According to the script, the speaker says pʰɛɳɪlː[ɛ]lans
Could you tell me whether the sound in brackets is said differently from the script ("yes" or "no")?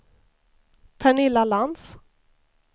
yes